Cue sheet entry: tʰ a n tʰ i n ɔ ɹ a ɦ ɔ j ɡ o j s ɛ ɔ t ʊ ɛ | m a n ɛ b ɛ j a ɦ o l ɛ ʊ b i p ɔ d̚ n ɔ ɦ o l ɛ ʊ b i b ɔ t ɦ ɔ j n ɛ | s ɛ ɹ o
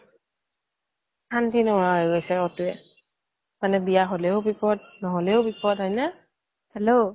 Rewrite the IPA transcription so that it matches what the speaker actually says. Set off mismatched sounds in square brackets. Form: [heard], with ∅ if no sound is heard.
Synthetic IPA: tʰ a n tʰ i n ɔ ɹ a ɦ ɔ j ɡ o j s ɛ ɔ t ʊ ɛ | m a n ɛ b [i] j a ɦ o l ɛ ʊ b i p ɔ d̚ n ɔ ɦ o l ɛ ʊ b i [p] ɔ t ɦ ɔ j n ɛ | [h] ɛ [l] o